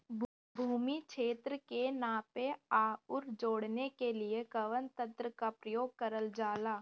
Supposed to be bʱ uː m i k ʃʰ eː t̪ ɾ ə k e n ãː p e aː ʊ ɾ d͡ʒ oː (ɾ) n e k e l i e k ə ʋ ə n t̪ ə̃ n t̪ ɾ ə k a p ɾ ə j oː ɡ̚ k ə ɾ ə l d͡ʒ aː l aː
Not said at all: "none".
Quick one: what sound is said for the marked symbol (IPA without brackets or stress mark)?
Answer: ɽ